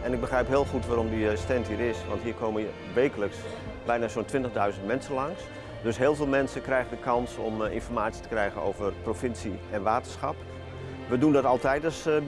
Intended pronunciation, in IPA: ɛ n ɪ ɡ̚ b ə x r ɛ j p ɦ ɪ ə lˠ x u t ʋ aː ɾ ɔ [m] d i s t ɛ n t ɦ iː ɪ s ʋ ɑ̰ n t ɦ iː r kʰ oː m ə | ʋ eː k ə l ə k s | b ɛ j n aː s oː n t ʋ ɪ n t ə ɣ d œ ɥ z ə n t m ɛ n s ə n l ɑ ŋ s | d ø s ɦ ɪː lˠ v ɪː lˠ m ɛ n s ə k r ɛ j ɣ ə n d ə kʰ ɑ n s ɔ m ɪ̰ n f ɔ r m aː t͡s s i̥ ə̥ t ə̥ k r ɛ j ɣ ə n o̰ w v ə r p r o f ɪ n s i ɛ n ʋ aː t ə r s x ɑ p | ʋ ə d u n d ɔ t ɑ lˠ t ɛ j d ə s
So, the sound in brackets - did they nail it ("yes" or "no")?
yes